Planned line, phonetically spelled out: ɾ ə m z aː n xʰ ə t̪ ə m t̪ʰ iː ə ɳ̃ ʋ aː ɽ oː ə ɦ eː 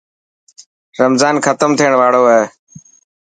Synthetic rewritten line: ɾ ə m z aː n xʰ ə t̪ ə m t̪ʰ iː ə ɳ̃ ʋ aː ɽ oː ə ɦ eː